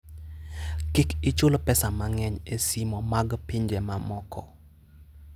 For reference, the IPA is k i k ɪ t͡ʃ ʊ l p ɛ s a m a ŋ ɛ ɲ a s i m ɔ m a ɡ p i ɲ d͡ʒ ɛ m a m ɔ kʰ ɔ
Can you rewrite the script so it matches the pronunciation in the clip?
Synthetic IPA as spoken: k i k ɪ t͡ʃ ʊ l p ɛ s a m a ŋ ɛ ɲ e s i m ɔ m a ɡ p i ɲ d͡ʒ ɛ m a m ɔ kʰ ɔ